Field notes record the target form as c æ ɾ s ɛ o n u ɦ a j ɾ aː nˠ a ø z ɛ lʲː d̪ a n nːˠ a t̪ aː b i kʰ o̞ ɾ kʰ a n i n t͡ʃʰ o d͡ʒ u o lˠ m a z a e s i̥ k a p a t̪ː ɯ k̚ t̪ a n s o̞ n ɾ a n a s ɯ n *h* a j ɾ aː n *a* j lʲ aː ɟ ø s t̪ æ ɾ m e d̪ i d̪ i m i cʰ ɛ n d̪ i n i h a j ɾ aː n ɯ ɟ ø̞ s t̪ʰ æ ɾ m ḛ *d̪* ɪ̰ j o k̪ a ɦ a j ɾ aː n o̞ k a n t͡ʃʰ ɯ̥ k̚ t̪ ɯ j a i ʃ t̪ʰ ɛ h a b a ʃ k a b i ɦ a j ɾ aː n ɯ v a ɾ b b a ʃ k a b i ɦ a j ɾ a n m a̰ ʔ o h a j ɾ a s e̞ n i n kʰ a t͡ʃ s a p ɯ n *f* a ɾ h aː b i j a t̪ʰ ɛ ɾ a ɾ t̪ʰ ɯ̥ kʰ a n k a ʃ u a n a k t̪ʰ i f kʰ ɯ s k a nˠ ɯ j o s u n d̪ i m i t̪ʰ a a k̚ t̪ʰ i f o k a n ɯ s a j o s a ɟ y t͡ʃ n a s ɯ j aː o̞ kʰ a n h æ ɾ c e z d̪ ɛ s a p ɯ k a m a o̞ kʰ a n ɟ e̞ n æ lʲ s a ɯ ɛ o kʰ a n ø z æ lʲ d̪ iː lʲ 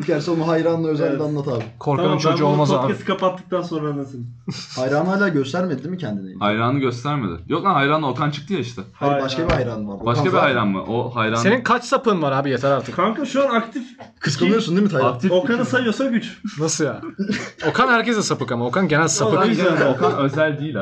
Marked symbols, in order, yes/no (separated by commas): yes, yes, yes, no